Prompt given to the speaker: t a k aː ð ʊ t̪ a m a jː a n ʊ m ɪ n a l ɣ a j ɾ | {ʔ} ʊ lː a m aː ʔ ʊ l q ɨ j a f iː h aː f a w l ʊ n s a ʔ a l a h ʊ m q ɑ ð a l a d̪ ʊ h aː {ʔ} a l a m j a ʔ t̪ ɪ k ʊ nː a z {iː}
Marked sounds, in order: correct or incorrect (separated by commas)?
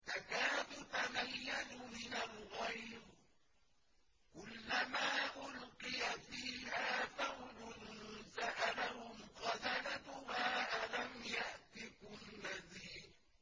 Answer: incorrect, correct, correct